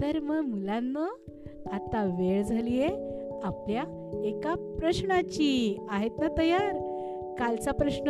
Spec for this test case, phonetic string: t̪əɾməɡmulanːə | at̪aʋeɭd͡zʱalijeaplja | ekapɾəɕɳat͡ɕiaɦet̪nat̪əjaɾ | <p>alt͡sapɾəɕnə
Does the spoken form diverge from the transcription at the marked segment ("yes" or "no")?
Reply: yes